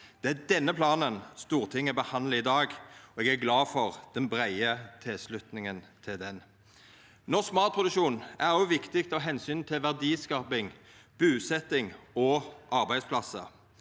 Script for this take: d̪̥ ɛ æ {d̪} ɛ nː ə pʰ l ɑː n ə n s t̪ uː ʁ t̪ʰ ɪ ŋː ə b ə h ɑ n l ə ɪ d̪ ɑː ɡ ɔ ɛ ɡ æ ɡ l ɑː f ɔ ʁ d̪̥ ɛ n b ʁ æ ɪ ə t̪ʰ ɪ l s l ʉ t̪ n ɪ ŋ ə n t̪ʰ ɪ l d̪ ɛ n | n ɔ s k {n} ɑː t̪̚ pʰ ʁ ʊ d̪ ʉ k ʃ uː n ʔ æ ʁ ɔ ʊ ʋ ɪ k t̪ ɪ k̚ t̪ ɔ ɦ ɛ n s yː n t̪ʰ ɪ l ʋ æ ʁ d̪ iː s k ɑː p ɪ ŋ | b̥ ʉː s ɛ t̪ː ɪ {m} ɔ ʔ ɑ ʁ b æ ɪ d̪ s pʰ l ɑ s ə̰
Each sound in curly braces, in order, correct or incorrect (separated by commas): correct, incorrect, incorrect